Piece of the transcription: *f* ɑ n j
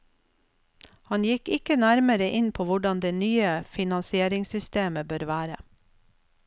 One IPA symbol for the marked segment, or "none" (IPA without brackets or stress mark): h